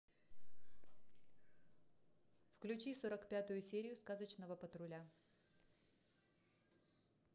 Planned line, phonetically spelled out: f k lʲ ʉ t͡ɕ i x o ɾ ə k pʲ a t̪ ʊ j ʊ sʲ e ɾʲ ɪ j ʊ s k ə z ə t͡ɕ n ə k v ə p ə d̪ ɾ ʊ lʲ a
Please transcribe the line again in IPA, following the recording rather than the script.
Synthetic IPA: f k lʲ ʉ t͡ɕ i s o ɾ ə k pʲ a t̪ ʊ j ʊ sʲ e ɾʲ ɪ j ʊ s k a z ə t͡ɕ n ə v ə p ə t̪ ɾ ʊ lʲ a